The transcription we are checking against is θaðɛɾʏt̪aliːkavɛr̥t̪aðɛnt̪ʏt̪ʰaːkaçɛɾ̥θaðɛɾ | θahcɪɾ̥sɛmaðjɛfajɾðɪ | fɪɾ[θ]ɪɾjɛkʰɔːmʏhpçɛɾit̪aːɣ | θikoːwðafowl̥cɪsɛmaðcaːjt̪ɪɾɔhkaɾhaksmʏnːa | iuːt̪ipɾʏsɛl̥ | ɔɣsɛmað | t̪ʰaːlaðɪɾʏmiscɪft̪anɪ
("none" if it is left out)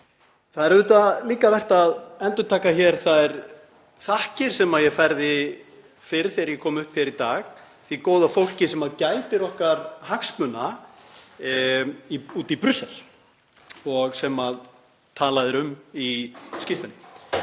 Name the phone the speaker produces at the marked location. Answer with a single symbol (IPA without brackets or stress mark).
θ